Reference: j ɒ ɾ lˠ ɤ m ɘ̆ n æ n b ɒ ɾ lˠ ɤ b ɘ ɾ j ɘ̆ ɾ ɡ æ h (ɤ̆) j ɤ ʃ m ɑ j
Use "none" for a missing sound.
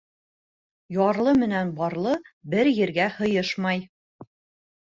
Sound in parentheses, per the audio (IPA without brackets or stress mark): ɤ̆